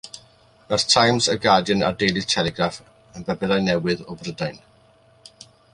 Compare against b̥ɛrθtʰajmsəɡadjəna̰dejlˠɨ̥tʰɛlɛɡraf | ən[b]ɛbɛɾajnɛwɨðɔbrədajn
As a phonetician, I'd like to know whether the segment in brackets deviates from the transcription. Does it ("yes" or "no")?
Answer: no